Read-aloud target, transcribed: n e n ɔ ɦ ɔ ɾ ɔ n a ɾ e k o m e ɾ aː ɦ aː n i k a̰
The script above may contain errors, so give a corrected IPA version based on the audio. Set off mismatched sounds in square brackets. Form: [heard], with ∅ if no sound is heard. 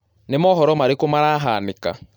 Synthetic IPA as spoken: n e [m] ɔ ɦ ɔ ɾ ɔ [m] a ɾ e k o m [a] ɾ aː ɦ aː n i k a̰